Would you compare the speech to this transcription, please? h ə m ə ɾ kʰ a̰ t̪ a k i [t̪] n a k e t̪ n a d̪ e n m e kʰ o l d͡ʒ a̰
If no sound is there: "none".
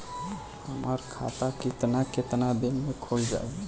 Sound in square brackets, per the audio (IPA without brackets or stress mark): t̪